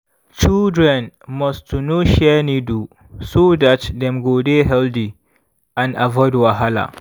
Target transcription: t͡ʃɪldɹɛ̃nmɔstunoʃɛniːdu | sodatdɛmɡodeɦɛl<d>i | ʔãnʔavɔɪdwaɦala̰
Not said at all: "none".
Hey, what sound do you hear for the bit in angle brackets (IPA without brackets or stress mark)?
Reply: d